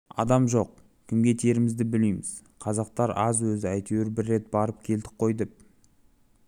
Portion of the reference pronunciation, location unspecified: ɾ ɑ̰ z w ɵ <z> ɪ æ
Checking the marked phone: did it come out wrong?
no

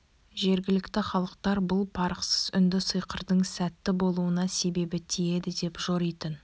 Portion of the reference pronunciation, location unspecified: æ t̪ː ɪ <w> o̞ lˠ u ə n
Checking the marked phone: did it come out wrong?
yes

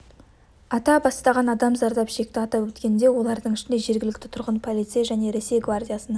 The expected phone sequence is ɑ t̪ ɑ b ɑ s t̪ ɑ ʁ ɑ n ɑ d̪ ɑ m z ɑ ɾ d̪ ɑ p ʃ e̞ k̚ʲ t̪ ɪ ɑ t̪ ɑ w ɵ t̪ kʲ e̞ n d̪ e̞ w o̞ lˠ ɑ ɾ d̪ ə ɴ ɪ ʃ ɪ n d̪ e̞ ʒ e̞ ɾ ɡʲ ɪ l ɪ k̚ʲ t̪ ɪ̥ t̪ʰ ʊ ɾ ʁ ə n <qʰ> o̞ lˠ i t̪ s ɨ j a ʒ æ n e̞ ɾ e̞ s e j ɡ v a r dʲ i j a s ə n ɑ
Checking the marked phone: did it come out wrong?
yes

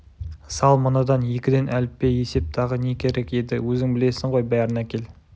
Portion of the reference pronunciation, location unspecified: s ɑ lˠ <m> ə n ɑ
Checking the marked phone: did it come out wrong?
no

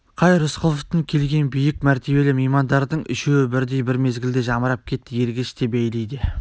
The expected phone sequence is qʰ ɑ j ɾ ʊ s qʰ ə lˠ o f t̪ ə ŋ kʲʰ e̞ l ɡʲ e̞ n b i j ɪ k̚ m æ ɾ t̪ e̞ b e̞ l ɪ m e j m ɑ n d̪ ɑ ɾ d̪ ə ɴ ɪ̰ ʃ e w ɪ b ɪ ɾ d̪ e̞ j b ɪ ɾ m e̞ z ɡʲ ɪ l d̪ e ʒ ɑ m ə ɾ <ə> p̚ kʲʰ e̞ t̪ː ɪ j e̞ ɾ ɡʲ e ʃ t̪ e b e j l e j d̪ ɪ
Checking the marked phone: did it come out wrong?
yes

